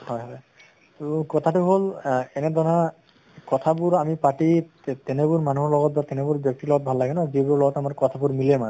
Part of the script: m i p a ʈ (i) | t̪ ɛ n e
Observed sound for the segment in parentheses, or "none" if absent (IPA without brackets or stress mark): i